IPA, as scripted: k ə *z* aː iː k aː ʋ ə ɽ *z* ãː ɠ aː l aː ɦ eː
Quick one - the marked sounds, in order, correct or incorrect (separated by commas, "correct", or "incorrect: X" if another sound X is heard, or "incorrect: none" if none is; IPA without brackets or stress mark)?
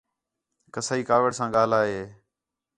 incorrect: s, incorrect: s